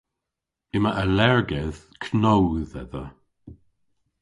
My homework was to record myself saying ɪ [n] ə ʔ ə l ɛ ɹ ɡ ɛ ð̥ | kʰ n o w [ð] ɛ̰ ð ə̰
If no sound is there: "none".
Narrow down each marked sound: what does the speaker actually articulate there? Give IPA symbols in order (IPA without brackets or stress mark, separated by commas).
m, ð